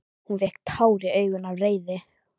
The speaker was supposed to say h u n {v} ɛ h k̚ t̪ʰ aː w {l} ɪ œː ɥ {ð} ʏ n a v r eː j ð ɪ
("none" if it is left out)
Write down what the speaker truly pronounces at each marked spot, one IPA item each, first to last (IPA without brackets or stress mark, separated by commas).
v, ɾ, ɣ